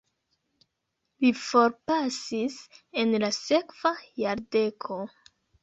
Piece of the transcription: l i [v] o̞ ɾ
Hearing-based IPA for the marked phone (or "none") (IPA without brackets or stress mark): f